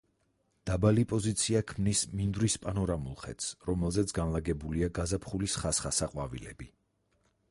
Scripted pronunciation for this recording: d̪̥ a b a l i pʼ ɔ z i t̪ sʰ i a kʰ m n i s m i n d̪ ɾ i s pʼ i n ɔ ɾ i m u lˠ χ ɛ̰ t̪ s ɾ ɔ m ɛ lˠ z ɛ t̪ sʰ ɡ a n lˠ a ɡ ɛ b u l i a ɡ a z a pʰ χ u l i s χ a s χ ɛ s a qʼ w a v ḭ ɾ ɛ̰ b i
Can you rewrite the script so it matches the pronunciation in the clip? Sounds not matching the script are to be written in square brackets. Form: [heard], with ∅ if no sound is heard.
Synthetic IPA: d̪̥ a b a l i pʼ ɔ z i t̪ sʰ i a kʰ m n i s m i n d̪ ɾ i s pʼ [a] n ɔ ɾ [a] m u lˠ χ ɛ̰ t̪ s ɾ ɔ m ɛ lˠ z ɛ t̪ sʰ ɡ a n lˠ a ɡ ɛ b u l i a ɡ a z a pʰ χ u l i s χ a s χ [a] s a qʼ w a v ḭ [l] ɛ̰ b i